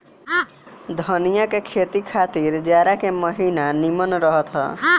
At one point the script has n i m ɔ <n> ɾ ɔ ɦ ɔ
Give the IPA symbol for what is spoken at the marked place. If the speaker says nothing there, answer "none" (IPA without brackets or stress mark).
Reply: n